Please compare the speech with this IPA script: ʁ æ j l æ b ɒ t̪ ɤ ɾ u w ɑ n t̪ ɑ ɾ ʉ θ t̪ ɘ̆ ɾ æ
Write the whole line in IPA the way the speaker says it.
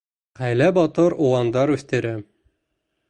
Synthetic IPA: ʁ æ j l æ b ɒ t̪ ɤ ɾ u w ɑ n d̪ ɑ ɾ ʉ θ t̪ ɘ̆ ɾ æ

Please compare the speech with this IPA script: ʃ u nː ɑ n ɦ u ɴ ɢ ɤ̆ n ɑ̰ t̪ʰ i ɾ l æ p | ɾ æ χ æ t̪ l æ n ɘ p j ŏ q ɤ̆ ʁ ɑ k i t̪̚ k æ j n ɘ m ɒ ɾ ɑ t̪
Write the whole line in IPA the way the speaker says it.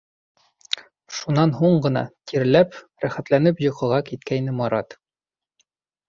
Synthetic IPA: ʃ u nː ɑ n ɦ u ɴ ɢ ɤ̆ n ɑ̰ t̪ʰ i ɾ l æ p | ɾ æ χ æ t̪ l æ n ɘ p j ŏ q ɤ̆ ʁ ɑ k i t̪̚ k æ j n ɘ m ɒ ɾ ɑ t̪

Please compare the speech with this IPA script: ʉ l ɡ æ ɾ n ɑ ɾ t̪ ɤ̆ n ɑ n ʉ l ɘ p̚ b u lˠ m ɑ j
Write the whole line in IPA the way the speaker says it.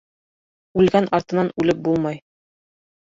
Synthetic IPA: ʉ l ɡ æ n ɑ ɾ t̪ ɤ̆ n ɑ n ʉ l ɘ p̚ b u lˠ m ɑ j

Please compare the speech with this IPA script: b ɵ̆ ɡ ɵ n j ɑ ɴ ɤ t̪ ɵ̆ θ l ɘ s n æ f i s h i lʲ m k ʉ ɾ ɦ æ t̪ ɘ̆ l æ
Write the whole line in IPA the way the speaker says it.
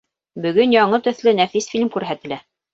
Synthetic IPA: b ɵ̆ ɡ ɵ n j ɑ ɴ ɤ t̪ ɵ̆ θ l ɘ n æ f i s f i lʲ m k ʉ ɾ ɦ æ t̪ ɘ̆ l æ

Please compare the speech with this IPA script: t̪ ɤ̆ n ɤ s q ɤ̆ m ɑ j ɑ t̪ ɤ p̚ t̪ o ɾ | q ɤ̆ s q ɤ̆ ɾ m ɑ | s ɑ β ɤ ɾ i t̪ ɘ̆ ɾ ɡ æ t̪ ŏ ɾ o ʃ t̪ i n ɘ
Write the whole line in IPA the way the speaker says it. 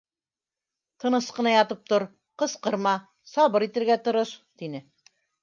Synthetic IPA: t̪ ɤ̆ n ɤ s q ɤ̆ n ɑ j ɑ t̪ ɤ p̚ t̪ o ɾ | q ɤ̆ s q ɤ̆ ɾ m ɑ | s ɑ β ɤ ɾ i t̪ ɘ̆ ɾ ɡ æ t̪ ŏ ɾ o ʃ t̪ i n ɘ

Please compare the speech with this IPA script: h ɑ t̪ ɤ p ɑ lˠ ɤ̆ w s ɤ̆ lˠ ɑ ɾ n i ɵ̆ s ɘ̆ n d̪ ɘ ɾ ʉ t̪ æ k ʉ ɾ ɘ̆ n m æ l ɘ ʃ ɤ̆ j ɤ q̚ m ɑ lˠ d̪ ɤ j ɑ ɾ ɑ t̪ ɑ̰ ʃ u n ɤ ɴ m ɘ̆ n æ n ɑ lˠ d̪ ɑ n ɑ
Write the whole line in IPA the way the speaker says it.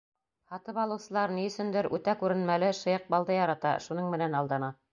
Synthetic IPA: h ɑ t̪ ɤ p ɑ lˠ ɤ̆ w s ɤ̆ lˠ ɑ ɾ n i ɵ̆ s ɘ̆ n d̪ ɘ ɾ ʉ t̪ æ k ʉ ɾ ɘ̆ n m æ l ɘ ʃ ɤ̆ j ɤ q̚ b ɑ lˠ d̪ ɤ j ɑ ɾ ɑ t̪ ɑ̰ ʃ u n ɤ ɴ m ɘ̆ n æ n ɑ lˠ d̪ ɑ n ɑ

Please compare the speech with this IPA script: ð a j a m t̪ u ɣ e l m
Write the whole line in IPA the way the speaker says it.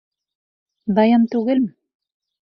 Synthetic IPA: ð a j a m t̪ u ɣ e l m

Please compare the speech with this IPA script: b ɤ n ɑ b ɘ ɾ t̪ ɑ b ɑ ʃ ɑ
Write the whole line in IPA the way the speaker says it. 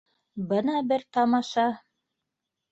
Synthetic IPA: b ɤ n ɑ b ɘ ɾ t̪ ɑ m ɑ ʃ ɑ

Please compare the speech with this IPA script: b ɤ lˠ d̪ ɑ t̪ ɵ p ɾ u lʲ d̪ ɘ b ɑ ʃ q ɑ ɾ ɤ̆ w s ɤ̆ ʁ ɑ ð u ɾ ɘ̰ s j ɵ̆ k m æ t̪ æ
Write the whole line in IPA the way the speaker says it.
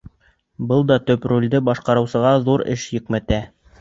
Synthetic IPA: b ɤ lˠ d̪ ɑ t̪ ɵ p ɾ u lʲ d̪ ɘ b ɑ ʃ q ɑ ɾ ɤ̆ w s ɤ̆ ʁ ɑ ð u ɾ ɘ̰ ʃ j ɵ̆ k m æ t̪ æ

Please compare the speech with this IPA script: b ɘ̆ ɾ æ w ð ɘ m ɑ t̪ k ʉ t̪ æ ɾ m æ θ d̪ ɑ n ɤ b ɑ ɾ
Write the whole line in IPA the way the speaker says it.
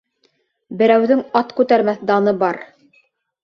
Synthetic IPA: b ɘ̆ ɾ æ w ð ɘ ŋ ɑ t̪ k ʉ t̪ æ ɾ m æ θ d̪ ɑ n ɤ b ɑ ɾ

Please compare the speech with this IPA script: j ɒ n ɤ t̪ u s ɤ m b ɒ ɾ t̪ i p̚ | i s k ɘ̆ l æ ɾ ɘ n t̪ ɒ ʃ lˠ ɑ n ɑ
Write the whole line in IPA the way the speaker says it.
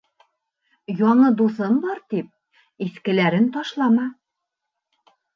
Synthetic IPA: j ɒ ɴ ɤ d̪ u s ɤ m b ɒ ɾ t̪ i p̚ | i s k ɘ̆ l æ ɾ ɘ n t̪ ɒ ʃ lˠ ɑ m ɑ

